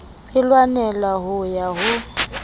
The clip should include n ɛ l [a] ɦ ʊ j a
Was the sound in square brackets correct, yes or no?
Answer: yes